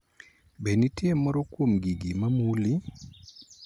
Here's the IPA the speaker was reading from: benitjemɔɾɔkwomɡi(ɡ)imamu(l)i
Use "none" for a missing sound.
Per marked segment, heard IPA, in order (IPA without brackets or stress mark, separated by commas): ɡ, l